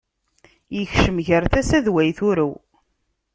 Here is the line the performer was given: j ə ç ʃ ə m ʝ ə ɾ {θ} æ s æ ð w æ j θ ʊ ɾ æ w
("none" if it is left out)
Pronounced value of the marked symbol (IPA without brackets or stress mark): θ